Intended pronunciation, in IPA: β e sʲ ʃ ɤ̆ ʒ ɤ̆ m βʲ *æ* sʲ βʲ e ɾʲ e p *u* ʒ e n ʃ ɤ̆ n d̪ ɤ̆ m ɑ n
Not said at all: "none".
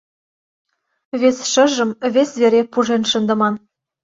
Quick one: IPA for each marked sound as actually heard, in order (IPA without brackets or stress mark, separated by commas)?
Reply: e, u